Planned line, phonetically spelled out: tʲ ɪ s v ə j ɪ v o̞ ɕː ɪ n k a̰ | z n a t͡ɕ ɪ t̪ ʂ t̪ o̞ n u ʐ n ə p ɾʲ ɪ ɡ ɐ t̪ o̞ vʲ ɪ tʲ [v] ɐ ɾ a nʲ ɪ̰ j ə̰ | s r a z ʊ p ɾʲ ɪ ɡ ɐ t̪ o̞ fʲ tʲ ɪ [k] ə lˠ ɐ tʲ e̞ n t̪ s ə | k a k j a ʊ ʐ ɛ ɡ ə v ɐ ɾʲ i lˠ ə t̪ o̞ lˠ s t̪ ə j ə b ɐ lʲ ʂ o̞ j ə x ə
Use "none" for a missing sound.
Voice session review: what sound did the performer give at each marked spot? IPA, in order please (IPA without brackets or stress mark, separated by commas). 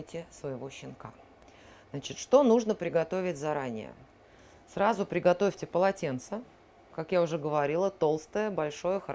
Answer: z, p